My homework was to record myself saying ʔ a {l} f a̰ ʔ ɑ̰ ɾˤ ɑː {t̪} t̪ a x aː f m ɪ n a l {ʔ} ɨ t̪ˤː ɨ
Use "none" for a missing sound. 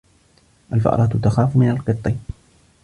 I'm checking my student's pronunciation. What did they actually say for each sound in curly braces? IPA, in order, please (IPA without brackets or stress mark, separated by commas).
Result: l, t̪, q